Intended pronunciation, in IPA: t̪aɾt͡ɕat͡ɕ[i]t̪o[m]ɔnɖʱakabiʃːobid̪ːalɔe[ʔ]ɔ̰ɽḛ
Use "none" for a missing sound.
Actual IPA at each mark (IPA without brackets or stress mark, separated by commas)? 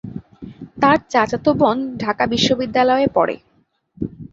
a, b, p